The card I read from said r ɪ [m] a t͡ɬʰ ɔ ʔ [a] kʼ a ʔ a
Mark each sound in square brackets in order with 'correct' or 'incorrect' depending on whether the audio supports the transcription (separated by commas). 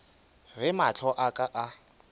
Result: correct, correct